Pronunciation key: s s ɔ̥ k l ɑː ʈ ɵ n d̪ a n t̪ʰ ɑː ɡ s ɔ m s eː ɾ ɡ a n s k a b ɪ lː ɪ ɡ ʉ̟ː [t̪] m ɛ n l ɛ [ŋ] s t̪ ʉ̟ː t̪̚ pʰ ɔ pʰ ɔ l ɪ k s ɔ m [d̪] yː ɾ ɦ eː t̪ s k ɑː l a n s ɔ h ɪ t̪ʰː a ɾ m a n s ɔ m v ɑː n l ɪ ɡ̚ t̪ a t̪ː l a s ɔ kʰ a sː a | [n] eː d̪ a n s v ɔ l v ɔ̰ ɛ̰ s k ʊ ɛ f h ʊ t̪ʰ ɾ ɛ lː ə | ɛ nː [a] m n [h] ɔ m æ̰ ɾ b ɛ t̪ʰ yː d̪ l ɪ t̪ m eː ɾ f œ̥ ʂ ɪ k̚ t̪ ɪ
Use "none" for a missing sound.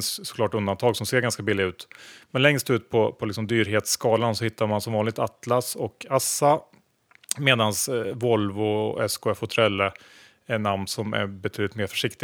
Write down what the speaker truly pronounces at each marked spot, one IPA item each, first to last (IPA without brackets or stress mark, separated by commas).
t̪, ŋ, d̪, m, a, s